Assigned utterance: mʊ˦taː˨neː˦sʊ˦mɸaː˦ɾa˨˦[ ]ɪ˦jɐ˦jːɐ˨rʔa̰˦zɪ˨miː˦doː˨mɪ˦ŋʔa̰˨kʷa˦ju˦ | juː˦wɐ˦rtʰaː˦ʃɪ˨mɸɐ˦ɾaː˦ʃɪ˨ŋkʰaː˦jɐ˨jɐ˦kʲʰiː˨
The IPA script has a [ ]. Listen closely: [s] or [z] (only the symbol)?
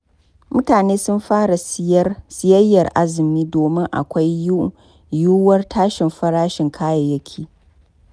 s